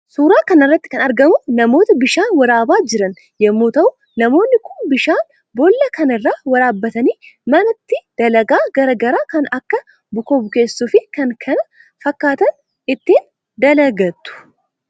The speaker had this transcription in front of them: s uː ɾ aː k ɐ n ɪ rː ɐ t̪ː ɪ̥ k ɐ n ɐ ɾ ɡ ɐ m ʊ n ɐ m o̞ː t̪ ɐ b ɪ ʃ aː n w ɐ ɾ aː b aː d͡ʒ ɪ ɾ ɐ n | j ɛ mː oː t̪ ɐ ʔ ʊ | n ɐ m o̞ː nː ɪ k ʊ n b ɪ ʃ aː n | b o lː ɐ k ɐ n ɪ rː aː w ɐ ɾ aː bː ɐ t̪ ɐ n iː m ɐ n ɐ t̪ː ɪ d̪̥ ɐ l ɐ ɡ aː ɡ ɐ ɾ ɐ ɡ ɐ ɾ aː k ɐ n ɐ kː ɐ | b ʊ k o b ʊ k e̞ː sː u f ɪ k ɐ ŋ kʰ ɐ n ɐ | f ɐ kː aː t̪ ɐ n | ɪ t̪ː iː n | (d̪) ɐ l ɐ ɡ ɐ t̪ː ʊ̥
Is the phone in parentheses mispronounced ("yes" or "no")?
no